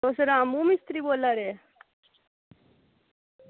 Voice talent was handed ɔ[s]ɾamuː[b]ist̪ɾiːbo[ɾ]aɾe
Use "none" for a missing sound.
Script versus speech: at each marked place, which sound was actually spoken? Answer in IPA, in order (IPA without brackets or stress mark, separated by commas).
s, m, l